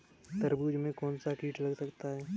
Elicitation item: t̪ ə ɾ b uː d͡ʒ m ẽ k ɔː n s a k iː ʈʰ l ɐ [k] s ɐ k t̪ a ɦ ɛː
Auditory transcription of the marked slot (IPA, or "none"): ɡ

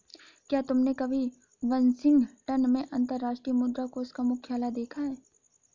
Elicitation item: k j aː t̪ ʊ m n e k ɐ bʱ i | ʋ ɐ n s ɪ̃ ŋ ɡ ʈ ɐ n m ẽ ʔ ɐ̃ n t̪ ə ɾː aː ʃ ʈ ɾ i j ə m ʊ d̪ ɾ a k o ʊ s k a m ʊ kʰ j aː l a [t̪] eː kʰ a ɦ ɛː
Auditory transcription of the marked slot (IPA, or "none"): d̪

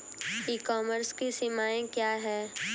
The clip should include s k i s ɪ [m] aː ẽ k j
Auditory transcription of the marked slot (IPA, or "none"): m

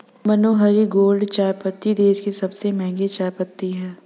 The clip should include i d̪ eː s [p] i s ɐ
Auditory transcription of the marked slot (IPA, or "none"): k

